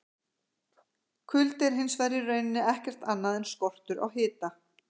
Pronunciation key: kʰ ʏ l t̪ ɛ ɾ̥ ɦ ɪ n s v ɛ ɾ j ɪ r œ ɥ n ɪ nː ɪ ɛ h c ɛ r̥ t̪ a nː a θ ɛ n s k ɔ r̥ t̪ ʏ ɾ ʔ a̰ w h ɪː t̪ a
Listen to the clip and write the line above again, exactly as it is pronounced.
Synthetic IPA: kʰ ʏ l t̪ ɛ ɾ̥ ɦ ɪ n s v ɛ ɾ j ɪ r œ ɥ n ɪ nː ɪ ɛ h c ɛ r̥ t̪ a nː a ð ɛ n s k ɔ r̥ t̪ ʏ ɾ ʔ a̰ w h ɪː t̪ a